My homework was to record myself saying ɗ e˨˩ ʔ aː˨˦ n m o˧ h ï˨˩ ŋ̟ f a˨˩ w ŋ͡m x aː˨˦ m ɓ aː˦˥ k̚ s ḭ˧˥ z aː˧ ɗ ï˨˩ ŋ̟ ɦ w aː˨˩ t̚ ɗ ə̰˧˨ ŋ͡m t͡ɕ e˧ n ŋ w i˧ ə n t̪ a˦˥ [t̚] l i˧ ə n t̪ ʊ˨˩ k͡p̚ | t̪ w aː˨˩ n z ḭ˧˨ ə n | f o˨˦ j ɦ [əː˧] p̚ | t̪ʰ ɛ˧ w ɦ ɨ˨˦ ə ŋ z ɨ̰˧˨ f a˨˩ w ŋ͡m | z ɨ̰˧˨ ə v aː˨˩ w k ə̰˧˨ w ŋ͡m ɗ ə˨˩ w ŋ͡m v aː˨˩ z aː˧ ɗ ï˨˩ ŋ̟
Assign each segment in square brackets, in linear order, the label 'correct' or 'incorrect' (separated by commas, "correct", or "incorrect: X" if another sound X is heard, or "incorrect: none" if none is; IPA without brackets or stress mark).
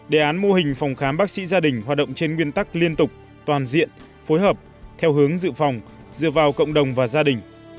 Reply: incorrect: k̚, incorrect: əː˨˩